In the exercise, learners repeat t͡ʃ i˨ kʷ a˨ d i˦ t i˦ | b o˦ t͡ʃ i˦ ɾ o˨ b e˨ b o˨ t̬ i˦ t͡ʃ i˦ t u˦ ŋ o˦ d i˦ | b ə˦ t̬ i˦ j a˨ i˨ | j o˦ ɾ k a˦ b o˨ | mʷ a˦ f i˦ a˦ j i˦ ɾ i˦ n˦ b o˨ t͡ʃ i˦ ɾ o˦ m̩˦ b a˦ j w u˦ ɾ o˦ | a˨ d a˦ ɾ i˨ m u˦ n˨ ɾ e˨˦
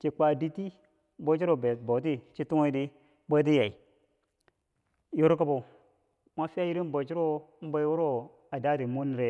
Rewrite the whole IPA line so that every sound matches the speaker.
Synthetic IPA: t͡ʃ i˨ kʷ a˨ d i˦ t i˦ | b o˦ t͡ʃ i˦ ɾ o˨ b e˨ b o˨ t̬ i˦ t͡ʃ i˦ t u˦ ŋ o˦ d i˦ | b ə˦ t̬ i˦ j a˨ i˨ | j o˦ ɾ k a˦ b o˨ | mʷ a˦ f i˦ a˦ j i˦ ɾ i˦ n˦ b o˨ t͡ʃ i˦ ɾ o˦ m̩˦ b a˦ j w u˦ ɾ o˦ | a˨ d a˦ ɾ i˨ m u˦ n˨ ɾ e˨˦